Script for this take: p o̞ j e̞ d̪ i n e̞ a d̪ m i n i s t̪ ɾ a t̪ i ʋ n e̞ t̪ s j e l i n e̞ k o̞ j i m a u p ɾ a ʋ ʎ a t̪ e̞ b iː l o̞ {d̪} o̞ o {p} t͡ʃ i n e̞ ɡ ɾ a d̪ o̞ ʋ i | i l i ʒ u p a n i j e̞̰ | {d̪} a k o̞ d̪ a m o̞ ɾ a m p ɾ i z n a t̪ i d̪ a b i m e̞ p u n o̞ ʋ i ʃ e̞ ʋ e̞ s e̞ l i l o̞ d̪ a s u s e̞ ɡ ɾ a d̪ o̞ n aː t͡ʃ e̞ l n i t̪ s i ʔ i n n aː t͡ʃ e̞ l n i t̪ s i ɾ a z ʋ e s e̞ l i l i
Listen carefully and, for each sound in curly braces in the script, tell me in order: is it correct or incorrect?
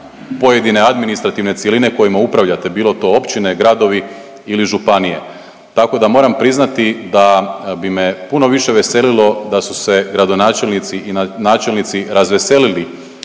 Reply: incorrect: t̪, correct, incorrect: t̪

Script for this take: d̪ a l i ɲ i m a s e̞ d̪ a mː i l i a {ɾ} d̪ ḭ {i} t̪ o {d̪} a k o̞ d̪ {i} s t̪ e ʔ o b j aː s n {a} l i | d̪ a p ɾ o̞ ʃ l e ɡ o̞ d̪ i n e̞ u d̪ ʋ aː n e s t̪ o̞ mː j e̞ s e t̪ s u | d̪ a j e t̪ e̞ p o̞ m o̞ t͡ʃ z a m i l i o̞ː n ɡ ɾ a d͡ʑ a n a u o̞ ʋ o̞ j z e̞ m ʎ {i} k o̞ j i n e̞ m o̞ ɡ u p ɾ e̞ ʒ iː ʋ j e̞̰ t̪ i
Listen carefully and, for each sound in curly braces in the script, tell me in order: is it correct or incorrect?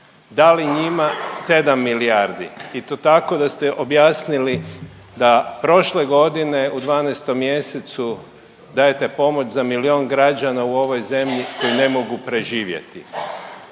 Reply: correct, correct, incorrect: t̪, incorrect: a, incorrect: i, correct

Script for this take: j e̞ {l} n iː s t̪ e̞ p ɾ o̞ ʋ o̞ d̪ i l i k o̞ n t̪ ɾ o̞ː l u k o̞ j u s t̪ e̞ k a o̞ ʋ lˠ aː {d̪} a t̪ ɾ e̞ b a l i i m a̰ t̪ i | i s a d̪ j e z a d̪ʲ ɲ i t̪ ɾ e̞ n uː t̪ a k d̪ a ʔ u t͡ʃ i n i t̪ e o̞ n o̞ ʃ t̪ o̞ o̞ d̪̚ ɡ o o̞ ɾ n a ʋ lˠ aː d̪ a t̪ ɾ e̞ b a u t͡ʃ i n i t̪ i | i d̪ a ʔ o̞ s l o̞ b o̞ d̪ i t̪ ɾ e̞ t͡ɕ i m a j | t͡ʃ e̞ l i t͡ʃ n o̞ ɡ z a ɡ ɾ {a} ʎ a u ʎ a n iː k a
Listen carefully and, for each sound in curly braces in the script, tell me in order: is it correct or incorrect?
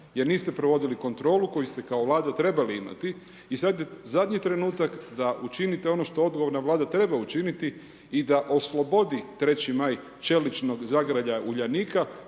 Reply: incorrect: ɾ, correct, correct

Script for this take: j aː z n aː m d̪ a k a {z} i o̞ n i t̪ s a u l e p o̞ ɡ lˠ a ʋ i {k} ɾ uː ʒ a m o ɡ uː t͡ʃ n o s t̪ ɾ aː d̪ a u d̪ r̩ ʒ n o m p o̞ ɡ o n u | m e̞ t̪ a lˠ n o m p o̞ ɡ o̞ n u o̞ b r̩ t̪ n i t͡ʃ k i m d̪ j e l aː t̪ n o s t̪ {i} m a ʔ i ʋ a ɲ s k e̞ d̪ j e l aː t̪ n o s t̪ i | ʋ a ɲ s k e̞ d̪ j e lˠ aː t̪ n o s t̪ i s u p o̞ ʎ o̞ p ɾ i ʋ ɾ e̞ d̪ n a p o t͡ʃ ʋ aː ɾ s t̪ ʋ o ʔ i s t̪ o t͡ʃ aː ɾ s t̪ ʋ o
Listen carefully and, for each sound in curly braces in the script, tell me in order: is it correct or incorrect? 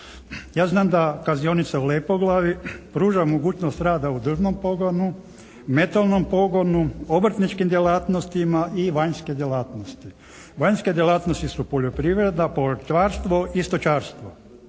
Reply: correct, incorrect: p, correct

